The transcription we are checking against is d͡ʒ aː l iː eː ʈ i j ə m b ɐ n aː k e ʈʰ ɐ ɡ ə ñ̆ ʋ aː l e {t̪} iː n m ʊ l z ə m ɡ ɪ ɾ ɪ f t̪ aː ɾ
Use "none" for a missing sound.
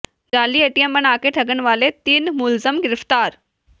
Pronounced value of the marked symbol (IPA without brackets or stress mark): t̪